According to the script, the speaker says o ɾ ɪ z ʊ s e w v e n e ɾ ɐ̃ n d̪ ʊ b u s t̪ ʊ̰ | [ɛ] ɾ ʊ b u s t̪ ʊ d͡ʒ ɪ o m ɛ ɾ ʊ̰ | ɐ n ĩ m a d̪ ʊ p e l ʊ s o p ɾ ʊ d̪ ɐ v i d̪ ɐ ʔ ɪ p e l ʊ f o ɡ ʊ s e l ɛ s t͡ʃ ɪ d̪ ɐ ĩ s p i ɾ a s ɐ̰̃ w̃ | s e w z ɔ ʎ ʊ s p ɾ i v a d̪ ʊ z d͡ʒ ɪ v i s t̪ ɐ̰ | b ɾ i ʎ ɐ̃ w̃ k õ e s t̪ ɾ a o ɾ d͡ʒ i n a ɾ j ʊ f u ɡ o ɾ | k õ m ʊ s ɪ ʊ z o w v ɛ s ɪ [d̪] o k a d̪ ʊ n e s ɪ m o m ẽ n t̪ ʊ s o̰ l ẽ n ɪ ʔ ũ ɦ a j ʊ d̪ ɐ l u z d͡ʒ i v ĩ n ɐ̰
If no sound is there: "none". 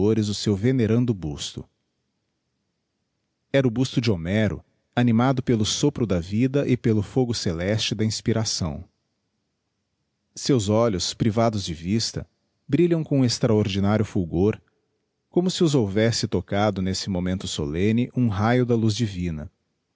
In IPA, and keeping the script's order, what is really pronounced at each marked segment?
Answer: ɛ, t̪

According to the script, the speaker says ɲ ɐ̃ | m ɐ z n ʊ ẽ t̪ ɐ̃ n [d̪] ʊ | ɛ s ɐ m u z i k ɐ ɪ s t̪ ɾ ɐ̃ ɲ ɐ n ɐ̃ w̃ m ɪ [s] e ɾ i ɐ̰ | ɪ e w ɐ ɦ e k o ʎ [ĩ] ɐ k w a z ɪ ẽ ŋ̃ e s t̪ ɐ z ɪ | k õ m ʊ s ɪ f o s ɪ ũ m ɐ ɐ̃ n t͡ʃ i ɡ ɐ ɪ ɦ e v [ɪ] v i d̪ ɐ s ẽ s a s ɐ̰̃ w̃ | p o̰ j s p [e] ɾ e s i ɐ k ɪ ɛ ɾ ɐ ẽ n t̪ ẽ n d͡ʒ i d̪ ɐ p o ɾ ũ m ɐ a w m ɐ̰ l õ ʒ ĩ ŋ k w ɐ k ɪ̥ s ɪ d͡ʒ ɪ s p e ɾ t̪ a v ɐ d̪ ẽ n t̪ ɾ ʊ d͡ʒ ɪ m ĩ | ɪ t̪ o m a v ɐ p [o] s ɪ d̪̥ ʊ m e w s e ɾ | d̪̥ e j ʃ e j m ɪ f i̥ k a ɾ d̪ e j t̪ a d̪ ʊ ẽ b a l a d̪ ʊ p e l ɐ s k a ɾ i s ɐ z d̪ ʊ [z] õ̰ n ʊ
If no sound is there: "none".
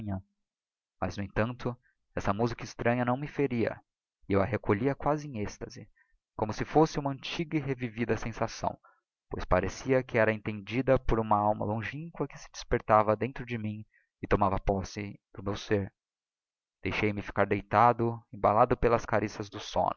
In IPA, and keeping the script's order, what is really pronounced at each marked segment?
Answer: t̪, f, i, i, a, ɔ, s

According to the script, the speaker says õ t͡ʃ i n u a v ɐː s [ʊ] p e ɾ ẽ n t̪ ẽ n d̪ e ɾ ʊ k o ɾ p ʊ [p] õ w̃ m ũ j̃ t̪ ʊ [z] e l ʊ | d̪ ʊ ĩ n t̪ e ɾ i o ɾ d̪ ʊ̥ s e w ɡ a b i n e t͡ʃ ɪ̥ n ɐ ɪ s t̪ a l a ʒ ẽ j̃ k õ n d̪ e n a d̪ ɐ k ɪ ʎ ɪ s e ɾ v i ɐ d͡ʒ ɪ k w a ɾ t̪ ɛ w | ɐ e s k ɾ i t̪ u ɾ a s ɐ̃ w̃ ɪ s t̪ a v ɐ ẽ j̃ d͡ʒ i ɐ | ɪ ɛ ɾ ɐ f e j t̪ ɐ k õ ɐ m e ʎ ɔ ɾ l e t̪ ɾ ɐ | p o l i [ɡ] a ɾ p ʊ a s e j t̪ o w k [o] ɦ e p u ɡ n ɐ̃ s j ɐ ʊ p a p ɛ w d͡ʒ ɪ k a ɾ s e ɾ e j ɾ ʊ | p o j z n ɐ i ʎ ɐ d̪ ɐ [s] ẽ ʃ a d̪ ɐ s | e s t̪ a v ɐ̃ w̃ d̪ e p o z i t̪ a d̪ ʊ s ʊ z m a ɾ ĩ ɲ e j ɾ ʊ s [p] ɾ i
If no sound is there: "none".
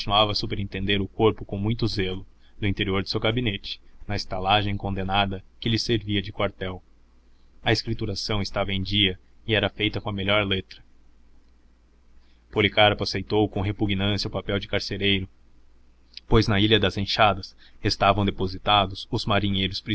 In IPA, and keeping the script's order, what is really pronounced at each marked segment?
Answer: u, k, z, k, õ, z, p

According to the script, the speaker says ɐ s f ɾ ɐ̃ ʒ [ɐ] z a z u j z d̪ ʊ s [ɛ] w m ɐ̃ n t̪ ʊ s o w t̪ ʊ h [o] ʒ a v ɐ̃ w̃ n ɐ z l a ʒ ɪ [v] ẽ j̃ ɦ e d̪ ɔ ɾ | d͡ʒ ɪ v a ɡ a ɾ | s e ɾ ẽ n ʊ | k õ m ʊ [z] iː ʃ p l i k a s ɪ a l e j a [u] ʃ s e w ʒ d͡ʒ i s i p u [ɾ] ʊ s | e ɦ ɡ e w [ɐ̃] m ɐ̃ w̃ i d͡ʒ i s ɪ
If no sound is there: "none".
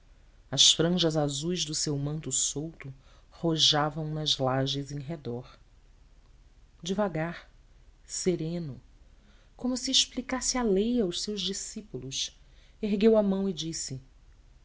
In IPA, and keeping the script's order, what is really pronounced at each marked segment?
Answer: ɐ, e, o, z, s, w, l, ɐ

